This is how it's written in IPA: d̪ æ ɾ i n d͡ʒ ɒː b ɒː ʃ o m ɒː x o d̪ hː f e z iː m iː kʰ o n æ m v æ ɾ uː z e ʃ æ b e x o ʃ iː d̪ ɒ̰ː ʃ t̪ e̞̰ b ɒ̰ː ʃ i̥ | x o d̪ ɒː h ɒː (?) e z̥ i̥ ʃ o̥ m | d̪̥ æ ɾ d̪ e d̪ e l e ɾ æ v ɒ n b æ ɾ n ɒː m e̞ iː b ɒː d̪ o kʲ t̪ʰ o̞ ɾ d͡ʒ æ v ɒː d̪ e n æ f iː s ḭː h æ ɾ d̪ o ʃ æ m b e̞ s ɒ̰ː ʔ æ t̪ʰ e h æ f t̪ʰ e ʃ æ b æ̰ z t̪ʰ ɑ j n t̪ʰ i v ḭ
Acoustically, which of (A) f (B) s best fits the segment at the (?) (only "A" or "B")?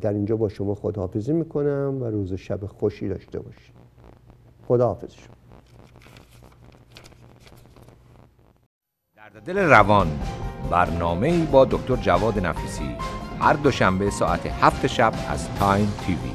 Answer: A